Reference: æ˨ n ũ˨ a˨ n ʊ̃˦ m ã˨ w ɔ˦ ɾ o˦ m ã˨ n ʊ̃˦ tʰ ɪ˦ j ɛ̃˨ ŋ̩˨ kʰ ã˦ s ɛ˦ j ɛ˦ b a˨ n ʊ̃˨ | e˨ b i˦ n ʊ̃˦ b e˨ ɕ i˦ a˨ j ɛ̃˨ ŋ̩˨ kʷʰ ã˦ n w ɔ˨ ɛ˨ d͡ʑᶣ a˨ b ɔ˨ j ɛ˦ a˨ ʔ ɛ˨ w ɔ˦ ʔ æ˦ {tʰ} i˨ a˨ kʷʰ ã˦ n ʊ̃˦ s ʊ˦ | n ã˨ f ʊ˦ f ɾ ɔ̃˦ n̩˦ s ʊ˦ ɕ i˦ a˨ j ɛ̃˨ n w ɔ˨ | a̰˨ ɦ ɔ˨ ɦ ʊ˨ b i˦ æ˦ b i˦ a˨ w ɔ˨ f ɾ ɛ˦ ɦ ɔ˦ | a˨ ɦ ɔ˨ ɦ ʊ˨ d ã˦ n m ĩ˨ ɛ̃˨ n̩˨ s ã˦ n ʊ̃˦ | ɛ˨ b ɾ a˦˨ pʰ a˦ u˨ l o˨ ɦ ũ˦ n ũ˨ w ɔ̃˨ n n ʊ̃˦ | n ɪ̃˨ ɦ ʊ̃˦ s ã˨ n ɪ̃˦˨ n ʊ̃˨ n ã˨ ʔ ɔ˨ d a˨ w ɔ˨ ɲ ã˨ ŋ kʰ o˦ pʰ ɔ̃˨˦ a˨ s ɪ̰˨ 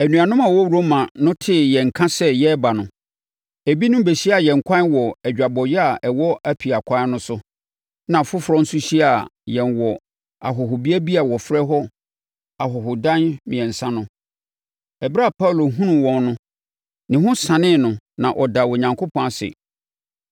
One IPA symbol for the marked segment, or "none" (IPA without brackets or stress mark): pʰ